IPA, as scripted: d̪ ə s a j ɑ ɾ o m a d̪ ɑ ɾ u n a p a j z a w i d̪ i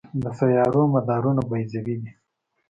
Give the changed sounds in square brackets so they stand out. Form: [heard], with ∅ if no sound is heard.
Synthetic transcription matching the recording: d̪ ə s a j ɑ ɾ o m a d̪ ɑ ɾ u n a [b] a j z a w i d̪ i